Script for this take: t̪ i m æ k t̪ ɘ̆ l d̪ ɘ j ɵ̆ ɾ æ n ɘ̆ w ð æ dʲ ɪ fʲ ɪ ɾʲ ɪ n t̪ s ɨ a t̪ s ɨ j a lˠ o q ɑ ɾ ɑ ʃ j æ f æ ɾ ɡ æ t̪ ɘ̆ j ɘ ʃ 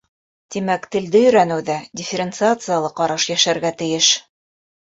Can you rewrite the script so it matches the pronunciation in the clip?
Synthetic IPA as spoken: t̪ i m æ k t̪ ɘ̆ l d̪ ɘ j ɵ̆ ɾ æ n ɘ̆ w ð æ dʲ ɪ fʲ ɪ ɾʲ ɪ n t̪ s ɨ a t̪ s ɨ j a lˠ ɤ q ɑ ɾ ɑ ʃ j æ ʃ æ ɾ ɡ æ t̪ ɘ̆ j ɘ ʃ